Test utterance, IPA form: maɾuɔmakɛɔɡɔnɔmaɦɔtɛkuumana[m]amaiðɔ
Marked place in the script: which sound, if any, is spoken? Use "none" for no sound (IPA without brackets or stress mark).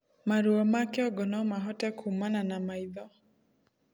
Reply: n